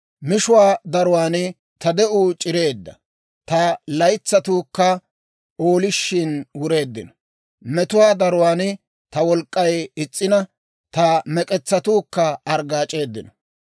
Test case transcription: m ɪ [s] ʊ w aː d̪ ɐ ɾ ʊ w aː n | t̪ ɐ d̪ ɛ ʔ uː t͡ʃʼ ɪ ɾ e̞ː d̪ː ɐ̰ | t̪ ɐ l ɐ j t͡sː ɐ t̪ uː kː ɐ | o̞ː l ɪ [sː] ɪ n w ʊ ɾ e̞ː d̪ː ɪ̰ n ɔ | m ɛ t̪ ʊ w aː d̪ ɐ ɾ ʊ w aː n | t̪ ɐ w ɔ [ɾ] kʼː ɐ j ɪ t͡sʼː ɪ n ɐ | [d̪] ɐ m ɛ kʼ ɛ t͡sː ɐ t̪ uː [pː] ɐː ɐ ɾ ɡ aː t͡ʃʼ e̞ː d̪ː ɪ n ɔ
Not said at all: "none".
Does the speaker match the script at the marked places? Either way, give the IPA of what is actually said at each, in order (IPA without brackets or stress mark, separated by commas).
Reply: ʃ, ʃː, l, t̪, kː